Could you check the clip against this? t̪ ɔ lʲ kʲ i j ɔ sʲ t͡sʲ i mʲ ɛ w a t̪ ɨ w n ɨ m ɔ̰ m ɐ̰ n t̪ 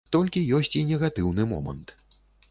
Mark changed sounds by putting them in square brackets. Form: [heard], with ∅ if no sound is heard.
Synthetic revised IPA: t̪ ɔ lʲ kʲ i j ɔ sʲ t͡sʲ i [nʲ] ɛ [ɣ] a t̪ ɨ w n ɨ m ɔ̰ m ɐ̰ n t̪